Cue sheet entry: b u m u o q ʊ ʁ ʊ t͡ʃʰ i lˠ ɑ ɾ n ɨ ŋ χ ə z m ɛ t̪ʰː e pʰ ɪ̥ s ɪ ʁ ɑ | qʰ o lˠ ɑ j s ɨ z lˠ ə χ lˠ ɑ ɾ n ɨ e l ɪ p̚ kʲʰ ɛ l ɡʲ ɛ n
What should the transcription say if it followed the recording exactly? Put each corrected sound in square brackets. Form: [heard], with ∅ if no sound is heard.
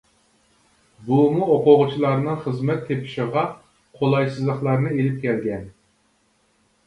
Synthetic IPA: b u m u o q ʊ ʁ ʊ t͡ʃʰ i lˠ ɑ ɾ n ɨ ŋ χ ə z m ɛ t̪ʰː e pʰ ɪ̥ [ʃ] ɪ ʁ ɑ | qʰ o lˠ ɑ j s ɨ z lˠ ə χ lˠ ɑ ɾ n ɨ e l ɪ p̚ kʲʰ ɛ l ɡʲ ɛ n